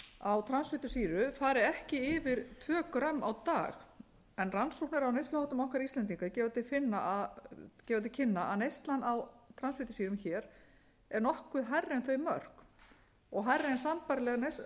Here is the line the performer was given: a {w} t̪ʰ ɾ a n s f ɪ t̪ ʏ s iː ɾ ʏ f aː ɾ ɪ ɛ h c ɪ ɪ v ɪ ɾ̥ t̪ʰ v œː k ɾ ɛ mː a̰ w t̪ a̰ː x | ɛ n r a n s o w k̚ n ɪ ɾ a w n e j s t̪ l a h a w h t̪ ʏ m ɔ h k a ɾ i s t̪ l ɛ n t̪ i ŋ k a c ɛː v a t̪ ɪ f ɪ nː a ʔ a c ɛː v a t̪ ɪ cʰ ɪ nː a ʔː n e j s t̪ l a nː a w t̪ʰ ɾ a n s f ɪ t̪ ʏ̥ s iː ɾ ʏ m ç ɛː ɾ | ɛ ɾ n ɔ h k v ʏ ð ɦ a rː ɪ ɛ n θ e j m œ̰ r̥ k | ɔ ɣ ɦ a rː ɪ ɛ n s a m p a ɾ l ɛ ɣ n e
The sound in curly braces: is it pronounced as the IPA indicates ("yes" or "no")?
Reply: yes